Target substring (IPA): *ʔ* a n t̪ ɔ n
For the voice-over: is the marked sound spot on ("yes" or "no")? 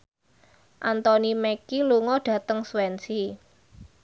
yes